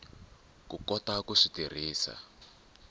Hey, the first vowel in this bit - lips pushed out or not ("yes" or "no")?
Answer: yes